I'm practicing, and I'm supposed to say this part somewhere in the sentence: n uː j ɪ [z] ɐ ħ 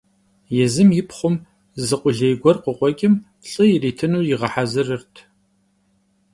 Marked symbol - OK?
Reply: no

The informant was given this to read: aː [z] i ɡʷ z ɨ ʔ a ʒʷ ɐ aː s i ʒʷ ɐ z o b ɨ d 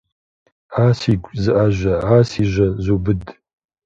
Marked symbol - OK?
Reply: no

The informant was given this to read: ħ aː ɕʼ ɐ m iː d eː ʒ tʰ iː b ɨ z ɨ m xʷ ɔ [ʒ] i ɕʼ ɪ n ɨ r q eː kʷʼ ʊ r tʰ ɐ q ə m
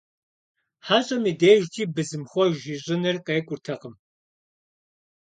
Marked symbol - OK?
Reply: yes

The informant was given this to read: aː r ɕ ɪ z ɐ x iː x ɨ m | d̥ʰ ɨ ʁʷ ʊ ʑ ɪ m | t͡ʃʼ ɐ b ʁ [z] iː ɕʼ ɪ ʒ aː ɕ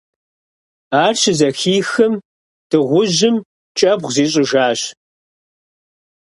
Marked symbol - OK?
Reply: yes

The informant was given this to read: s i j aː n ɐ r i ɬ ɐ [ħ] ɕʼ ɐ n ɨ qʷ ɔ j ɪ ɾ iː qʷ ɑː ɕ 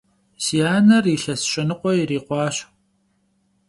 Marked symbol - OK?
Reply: no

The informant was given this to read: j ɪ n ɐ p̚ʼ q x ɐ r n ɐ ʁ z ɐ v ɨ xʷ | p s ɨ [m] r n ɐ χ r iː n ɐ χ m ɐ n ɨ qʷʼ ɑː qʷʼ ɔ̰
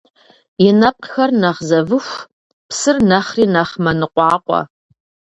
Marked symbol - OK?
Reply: no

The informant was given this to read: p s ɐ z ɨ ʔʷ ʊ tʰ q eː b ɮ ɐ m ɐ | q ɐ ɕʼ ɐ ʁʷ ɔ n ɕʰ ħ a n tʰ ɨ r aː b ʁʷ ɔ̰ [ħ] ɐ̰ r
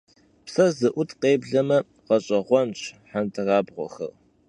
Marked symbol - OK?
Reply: no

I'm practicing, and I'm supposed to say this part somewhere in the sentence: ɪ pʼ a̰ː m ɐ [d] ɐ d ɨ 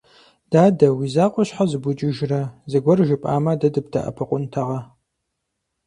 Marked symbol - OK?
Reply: yes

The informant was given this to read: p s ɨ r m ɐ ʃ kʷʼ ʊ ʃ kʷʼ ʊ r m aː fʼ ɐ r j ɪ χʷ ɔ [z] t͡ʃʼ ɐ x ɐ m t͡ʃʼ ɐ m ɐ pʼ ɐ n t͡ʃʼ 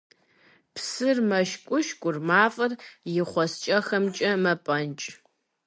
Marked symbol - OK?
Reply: no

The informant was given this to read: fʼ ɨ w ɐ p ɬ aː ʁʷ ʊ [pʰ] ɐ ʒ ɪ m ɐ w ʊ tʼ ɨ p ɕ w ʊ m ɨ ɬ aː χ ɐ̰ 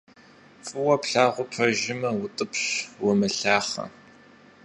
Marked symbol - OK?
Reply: yes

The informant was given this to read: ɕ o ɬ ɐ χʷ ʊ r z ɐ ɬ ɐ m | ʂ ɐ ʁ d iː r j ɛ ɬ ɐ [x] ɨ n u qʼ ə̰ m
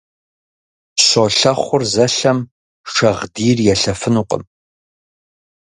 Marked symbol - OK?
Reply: no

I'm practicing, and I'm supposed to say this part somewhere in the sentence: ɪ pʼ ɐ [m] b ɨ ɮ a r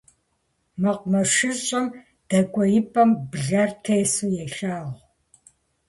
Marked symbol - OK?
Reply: yes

